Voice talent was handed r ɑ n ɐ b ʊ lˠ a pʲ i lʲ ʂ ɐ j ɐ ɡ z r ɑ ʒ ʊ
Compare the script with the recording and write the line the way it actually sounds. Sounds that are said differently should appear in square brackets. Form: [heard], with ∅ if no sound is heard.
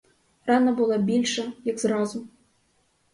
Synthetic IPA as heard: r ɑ n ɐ b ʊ lˠ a [bʲ] i lʲ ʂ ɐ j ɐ ɡ z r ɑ [z] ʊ